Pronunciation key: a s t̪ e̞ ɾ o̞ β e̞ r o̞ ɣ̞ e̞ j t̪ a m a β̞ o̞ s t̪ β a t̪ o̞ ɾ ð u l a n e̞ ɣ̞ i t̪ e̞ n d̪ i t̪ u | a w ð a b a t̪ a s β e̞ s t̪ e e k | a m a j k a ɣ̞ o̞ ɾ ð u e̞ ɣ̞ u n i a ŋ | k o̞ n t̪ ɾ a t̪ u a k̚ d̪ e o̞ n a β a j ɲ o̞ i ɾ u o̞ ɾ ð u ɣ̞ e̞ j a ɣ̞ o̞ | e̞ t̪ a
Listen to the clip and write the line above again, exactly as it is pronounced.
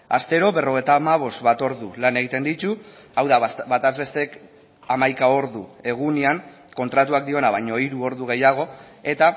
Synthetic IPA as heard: a s t̪ e̞ ɾ o̞ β e̞ r o̞ ɣ̞ e̞ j t̪ a m a β̞ o̞ s t̪ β a t̪ o̞ ɾ ð u l a n e̞ ɣ̞ i t̪ e̞ n d̪ i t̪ u | a w ð a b a t̪ a z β e̞ s t̪ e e k | a m a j k a o̞ ɾ ð u e̞ ɣ̞ u n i a ŋ | k o̞ n t̪ ɾ a t̪ u a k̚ d̪ i o̞ n a β a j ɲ o̞ i ɾ u o̞ ɾ ð u ɣ̞ e̞ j a ɣ̞ o̞ | e̞ t̪ a